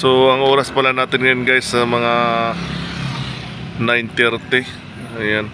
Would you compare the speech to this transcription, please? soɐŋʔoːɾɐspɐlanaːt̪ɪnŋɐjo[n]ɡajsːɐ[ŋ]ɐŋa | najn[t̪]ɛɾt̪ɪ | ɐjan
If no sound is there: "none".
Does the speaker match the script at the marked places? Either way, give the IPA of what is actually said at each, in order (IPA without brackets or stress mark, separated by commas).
n, m, t̪